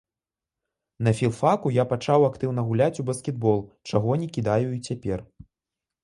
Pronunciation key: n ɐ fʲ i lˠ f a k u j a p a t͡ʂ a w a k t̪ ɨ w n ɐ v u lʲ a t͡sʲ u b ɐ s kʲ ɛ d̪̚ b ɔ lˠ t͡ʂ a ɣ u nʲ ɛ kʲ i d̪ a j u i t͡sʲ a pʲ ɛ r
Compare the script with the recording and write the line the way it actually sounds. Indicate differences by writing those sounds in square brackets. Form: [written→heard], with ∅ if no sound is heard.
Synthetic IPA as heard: n ɐ fʲ i lˠ f a k u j a p a t͡ʂ a w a k t̪ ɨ w n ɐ [v→ɣ] u lʲ a t͡sʲ u b ɐ s kʲ ɛ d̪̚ b ɔ lˠ t͡ʂ a ɣ [u→ɔ] nʲ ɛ kʲ i d̪ a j u i t͡sʲ a pʲ ɛ r